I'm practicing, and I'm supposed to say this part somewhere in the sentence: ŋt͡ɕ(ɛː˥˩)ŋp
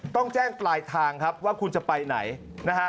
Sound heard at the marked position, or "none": ɛː˥˩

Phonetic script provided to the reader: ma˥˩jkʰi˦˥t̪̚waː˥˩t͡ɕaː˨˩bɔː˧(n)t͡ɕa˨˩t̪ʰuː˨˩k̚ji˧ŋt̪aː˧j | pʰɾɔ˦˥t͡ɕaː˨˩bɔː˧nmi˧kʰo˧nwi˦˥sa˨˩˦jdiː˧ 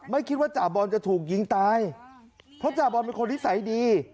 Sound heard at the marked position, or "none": n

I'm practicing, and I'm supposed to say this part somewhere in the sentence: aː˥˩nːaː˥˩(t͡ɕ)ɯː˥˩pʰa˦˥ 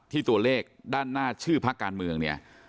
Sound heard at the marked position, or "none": t͡ɕʰ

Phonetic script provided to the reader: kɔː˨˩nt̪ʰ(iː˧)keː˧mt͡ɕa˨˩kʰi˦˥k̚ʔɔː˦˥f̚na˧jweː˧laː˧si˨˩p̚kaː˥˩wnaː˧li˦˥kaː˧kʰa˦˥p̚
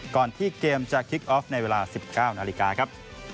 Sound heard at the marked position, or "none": iː˥˩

